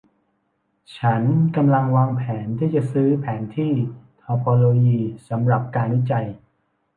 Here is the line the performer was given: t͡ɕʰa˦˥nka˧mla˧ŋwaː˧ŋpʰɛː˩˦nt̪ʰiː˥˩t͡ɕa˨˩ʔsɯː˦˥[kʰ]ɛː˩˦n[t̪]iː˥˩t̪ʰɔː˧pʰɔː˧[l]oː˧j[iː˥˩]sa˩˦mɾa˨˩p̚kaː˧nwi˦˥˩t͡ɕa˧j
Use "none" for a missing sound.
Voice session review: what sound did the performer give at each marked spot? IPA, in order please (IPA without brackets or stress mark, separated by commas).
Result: pʰ, t̪ʰ, l, iː˧